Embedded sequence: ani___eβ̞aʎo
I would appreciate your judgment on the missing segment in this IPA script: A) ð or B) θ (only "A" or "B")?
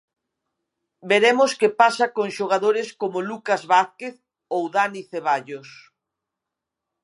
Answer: B